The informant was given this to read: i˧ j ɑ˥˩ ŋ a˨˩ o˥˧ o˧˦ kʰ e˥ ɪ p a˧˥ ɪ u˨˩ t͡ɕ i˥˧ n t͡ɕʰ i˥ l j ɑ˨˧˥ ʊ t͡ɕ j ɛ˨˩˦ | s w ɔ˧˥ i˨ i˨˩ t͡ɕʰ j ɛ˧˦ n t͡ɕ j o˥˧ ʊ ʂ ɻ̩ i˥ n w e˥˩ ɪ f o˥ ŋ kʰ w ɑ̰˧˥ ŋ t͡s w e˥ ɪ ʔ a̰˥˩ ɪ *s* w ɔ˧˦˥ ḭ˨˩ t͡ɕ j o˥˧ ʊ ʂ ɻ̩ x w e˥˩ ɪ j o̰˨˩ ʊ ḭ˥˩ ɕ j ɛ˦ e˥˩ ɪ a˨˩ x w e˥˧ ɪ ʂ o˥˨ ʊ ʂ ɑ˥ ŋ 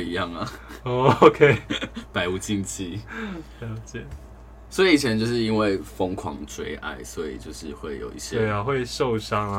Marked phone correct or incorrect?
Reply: correct